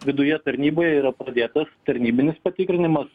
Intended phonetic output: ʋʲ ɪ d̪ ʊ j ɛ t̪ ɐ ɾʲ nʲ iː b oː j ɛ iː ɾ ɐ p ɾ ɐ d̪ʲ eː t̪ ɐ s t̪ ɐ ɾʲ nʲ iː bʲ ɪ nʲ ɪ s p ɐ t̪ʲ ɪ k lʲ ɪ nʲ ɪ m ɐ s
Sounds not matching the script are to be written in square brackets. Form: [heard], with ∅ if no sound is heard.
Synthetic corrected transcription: ʋʲ ɪ d̪ ʊ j ɛ t̪ ɐ ɾʲ nʲ iː b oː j ɛ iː ɾ ɐ p ɾ ɐ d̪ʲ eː t̪ ɐ s t̪ ɐ ɾʲ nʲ iː bʲ ɪ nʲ ɪ s p ɐ t̪ʲ ɪ k [ɾʲ] ɪ nʲ ɪ m ɐ s